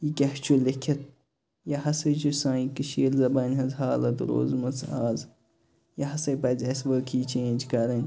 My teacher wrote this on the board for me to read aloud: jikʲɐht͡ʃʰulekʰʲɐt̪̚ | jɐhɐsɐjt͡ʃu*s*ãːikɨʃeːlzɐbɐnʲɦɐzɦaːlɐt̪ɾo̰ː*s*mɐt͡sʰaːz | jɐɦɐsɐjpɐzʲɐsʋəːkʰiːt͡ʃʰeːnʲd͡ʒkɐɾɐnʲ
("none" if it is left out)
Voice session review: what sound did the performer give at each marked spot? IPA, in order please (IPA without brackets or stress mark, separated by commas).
s, z